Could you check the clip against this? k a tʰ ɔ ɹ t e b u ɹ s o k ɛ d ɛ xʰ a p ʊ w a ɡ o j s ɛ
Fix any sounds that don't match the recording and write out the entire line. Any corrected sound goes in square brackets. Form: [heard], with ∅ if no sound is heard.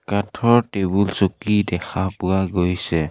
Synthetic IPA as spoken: k a tʰ ɔ ɹ t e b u [l] s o k [i] d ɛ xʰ a p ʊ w a ɡ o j s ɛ

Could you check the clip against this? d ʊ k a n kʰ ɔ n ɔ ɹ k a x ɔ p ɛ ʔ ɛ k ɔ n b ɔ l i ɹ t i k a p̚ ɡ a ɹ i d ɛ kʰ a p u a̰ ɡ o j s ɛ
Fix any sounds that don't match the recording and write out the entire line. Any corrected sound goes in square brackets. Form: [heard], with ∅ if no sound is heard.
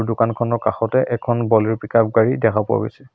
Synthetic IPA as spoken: d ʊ k a n kʰ ɔ n ɔ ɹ k a x ɔ [t] ɛ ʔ ɛ [kʰ] ɔ n b ɔ l i ɹ [p] i k a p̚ ɡ a ɹ i d ɛ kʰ a p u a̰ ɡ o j s ɛ

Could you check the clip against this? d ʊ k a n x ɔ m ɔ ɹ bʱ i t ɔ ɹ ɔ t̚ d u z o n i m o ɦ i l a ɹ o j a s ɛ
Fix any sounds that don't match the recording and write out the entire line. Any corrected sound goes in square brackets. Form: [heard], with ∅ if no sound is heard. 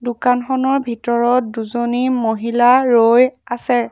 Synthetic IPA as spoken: d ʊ k a n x ɔ [n] ɔ ɹ bʱ i t ɔ ɹ ɔ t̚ d u z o n i m o ɦ i l a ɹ o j a s ɛ

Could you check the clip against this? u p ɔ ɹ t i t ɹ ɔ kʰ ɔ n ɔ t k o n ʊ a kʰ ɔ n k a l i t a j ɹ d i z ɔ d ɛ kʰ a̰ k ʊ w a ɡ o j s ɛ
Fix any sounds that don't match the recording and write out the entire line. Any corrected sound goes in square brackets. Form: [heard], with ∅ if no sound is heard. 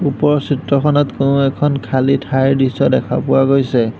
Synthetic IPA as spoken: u p ɔ ɹ [s] i t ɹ ɔ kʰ ɔ n ɔ t k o n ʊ [ɛ] kʰ ɔ n [kʰ] a l i [tʰ] a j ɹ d i [s] ɔ d ɛ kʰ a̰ [p] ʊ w a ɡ o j s ɛ

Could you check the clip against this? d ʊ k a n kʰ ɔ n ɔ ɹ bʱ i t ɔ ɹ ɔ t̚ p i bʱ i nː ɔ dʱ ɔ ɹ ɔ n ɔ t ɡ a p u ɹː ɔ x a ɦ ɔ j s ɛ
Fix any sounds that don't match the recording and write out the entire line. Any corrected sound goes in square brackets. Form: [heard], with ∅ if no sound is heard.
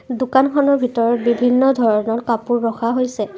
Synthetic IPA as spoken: d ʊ k a n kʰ ɔ n ɔ ɹ bʱ i t ɔ ɹ ɔ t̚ [b] i bʱ i nː ɔ dʱ ɔ ɹ ɔ n ɔ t [k] a p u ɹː ɔ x a ɦ [o] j s ɛ

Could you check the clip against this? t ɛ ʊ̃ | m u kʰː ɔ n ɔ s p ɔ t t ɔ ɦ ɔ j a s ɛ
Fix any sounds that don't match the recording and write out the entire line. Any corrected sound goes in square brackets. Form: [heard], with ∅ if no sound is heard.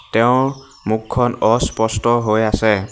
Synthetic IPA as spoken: t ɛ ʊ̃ | m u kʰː ɔ n ɔ s p ɔ [s] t ɔ ɦ [o] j a s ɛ

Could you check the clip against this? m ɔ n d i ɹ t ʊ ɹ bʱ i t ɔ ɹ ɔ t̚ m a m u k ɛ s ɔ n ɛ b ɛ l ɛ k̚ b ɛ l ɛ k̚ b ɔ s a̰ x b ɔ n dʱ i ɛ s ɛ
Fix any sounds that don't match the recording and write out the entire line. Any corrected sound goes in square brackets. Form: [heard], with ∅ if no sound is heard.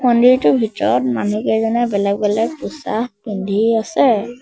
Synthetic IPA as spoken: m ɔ n d i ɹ t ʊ [∅] bʱ i t ɔ ɹ ɔ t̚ m a [n] u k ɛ [z] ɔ n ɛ b ɛ l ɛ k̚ b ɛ l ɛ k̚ [p] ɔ s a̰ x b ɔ n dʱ i [a] s ɛ

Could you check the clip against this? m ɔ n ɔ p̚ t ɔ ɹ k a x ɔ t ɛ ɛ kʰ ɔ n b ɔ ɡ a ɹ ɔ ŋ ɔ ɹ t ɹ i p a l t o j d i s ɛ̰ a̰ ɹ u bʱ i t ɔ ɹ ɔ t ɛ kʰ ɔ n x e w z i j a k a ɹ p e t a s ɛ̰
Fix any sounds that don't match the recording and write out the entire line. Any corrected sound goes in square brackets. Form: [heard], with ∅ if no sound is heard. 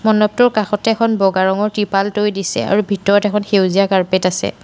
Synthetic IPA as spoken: m ɔ n ɔ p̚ t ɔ ɹ k a x ɔ t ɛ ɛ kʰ ɔ n b ɔ ɡ a ɹ ɔ ŋ ɔ ɹ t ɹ i p a l t o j d i s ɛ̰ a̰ ɹ u bʱ i t ɔ ɹ ɔ t ɛ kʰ ɔ n x e w z i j a k a ɹ p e t a s ɛ̰

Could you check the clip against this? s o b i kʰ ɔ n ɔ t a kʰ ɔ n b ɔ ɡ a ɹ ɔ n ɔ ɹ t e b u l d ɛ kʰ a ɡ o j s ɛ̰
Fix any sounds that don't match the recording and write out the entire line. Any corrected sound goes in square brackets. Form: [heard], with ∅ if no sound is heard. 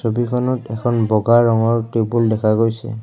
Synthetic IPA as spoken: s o b i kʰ ɔ n ɔ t [ɛ] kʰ ɔ n b ɔ ɡ a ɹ ɔ [ŋ] ɔ ɹ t e b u l d ɛ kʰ a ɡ o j s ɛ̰

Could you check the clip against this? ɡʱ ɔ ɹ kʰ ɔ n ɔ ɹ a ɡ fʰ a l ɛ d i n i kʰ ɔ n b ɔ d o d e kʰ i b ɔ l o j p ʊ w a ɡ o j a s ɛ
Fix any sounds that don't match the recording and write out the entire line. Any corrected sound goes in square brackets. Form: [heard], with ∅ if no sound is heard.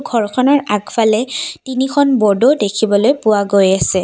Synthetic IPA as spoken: ɡʱ ɔ ɹ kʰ ɔ n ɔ ɹ a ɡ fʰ a l ɛ [t] i n i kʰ ɔ n b ɔ d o d e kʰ i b ɔ l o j p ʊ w a ɡ o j a s ɛ

